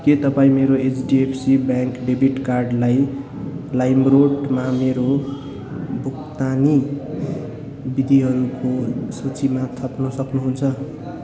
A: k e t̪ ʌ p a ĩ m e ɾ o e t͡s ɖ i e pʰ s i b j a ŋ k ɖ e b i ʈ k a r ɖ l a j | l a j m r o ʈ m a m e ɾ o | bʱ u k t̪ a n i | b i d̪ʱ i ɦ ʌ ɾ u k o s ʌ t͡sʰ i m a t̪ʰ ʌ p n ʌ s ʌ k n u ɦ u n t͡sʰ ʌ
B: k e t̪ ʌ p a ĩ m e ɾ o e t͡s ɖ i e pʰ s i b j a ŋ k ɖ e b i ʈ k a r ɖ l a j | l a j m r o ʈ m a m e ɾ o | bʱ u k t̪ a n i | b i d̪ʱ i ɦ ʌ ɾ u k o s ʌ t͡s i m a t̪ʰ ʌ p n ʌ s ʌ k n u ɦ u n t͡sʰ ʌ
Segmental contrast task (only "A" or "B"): B